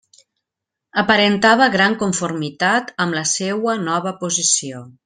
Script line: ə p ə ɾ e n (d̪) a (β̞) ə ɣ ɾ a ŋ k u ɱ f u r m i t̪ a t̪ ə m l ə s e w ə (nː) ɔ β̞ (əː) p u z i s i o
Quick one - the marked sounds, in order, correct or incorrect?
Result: incorrect, correct, incorrect, incorrect

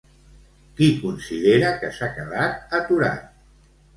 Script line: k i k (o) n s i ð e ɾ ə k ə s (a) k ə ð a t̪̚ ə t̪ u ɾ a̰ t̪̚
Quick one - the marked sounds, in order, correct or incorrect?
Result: incorrect, correct

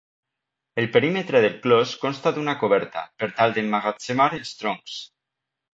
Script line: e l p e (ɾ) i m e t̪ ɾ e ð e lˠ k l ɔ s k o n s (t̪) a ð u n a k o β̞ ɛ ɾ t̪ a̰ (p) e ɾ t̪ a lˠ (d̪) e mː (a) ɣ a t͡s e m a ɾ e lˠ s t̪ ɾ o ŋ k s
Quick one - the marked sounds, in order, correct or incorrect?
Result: correct, correct, correct, correct, correct

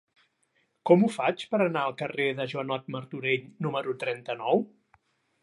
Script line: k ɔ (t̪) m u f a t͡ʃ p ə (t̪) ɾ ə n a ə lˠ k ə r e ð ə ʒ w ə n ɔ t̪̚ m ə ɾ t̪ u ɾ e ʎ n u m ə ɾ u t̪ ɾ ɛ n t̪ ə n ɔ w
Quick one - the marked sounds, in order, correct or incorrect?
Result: incorrect, incorrect

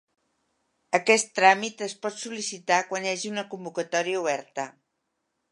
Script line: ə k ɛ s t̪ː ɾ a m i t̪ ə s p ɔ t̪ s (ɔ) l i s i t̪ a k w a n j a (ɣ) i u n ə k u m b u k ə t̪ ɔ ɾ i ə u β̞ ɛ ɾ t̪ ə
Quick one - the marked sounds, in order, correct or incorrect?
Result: incorrect, incorrect

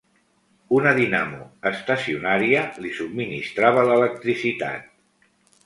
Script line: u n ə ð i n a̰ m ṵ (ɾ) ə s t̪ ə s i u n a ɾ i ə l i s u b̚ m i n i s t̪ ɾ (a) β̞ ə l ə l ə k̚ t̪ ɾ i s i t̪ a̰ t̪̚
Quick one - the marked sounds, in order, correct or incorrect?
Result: incorrect, correct

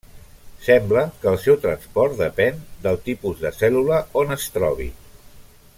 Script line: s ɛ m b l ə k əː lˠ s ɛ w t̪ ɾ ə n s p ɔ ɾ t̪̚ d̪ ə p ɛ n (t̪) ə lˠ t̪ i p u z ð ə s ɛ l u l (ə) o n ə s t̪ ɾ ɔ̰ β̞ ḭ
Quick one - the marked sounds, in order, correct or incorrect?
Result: incorrect, correct

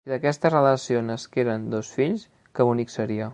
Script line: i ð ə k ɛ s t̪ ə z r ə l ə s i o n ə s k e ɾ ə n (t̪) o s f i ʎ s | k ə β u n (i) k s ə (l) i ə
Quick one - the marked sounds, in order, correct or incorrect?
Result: incorrect, correct, incorrect

